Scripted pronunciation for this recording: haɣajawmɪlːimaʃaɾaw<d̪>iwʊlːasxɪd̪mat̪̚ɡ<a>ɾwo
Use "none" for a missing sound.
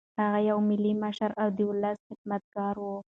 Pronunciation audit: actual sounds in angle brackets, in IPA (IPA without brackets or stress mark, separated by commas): d̪, ɑ